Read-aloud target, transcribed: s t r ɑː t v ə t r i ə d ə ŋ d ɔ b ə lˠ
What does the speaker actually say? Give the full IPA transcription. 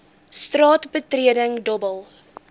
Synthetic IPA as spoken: s t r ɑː t b ə t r i ə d ə ŋ d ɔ b ə lˠ